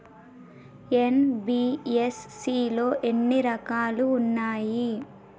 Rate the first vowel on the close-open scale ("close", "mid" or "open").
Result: mid